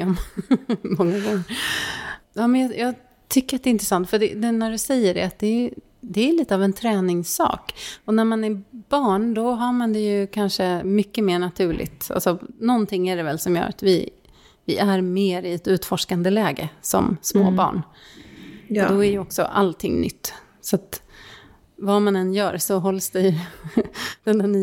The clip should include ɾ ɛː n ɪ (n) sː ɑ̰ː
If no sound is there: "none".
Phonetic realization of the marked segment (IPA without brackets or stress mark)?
ŋ